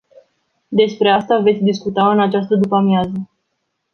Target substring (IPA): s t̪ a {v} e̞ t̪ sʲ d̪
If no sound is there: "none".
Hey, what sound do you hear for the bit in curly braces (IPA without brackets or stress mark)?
v